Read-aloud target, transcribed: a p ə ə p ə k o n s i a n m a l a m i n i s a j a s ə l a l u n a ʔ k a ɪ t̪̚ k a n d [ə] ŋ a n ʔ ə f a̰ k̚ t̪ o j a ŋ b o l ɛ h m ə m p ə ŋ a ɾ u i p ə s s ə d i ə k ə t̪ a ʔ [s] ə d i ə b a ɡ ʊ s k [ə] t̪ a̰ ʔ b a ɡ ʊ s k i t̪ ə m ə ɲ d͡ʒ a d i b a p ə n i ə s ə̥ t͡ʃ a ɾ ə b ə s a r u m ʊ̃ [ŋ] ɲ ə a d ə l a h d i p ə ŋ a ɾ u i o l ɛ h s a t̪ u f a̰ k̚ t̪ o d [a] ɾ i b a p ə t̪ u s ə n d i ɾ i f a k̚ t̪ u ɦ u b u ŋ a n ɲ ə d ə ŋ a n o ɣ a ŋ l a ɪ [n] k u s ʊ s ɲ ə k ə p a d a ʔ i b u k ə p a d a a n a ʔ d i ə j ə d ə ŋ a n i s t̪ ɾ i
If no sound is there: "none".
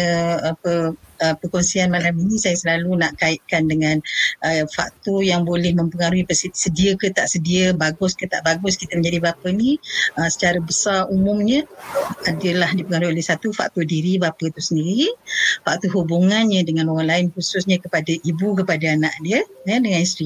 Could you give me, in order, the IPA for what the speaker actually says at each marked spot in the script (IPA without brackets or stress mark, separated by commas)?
ə, s, ə, m, i, n